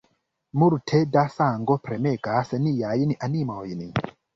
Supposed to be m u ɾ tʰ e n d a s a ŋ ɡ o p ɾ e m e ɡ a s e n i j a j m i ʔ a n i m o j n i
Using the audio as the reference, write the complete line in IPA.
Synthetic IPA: m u ɾ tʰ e d a s a ŋ ɡ o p ɾ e m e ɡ a s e n i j a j n i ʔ a n i m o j n i